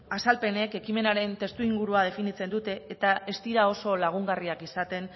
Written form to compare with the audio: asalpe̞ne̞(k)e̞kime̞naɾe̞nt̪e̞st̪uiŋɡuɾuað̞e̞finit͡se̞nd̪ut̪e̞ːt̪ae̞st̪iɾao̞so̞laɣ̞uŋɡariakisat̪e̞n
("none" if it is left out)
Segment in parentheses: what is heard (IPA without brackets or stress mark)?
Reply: k